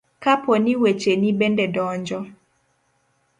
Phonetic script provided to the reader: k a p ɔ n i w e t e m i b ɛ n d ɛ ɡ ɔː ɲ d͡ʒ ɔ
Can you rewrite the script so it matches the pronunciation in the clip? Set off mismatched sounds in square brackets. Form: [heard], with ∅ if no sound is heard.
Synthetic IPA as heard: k a p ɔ n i w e [t͡ʃ] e [n] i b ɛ n d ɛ [d] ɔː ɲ d͡ʒ ɔ